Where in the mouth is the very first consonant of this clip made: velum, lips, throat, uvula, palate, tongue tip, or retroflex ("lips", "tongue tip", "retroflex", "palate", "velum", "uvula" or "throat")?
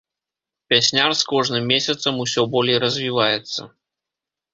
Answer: lips